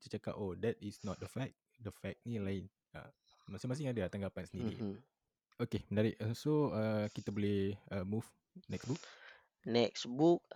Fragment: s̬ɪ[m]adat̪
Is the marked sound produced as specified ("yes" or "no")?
no